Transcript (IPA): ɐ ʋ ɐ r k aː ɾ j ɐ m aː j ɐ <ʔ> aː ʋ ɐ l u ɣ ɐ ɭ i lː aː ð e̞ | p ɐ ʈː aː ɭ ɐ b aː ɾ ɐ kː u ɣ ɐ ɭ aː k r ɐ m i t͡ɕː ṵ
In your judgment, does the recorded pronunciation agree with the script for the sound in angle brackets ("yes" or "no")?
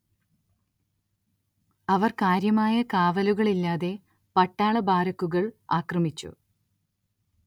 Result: no